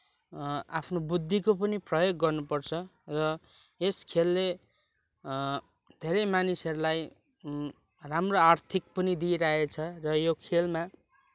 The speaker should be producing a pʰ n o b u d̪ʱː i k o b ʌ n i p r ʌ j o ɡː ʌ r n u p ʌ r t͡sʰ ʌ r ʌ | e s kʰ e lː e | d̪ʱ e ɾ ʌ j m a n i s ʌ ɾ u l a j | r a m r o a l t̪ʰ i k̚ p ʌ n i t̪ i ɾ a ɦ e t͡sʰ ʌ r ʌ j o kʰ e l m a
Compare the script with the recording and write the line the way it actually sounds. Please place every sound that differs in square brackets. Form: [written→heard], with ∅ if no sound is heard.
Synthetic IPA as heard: a pʰ n o b u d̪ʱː i k o [b→p] ʌ n i p r ʌ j o ɡː ʌ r n u p ʌ r t͡sʰ ʌ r ʌ | e s kʰ e lː e | d̪ʱ e ɾ ʌ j m a n i s ʌ ɾ u l a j | r a m r o a [l→r] t̪ʰ i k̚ p ʌ n i [t̪→d̪] i ɾ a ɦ e t͡sʰ ʌ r ʌ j o kʰ e l m a